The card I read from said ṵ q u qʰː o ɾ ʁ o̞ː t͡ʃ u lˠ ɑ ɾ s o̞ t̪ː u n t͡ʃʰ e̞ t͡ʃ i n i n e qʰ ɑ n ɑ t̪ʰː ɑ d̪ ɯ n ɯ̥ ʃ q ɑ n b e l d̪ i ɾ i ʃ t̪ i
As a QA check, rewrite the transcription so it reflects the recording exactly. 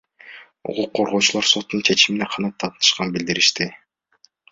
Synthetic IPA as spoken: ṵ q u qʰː o ɾ ʁ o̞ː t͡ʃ u lˠ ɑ ɾ s o̞ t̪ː u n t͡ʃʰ e̞ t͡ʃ i m i n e qʰ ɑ n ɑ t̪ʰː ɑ t̪ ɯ n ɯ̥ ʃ q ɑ n b i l d̪ i ɾ i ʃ t̪ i